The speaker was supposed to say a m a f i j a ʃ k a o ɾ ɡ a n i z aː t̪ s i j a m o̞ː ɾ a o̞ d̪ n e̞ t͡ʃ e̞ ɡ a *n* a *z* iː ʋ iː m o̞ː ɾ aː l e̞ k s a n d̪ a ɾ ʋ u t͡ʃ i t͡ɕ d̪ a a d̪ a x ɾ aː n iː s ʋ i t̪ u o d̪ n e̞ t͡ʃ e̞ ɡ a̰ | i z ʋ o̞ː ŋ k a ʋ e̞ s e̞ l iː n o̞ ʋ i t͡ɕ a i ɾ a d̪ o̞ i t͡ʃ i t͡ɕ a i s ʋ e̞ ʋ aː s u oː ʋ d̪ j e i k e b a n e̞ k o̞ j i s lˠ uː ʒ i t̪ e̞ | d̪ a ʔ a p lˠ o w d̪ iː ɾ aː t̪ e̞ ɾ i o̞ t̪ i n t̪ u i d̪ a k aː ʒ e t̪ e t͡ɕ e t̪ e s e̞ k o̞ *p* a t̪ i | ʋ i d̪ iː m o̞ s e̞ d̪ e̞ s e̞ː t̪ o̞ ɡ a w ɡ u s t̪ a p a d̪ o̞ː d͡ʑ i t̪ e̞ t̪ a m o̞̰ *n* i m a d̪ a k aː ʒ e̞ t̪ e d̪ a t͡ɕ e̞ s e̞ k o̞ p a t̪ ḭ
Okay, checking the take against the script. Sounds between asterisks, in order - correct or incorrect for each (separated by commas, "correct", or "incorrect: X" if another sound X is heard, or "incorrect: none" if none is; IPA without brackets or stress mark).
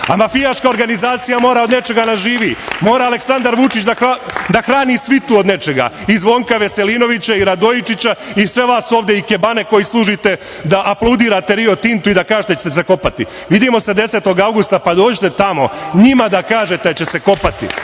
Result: correct, incorrect: ʒ, correct, incorrect: ɲ